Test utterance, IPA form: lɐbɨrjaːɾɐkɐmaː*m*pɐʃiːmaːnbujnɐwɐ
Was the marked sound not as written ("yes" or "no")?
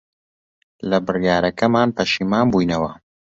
yes